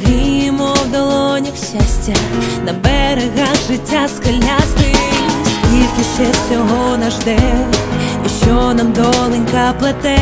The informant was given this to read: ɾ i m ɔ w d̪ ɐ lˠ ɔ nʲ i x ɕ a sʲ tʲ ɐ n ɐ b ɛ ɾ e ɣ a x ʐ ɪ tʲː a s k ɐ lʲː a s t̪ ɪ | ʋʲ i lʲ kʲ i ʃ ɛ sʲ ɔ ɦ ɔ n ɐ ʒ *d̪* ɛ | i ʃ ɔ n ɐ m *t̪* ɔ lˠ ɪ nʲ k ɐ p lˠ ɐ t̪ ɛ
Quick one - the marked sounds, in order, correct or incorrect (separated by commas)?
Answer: correct, incorrect